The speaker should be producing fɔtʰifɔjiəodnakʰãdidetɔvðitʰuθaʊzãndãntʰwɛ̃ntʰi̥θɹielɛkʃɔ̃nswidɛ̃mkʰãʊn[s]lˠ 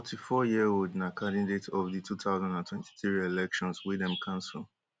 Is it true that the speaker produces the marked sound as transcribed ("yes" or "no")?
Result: yes